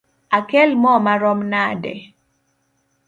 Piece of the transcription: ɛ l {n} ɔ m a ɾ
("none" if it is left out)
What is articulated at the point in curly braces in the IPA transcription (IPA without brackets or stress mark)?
m